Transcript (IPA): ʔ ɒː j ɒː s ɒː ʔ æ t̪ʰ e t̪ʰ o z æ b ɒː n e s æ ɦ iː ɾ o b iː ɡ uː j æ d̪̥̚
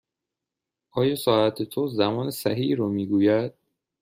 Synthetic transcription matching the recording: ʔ ɒː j ɒː s ɒː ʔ æ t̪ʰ e t̪ʰ o z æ m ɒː n e s æ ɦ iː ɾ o m iː ɡ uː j æ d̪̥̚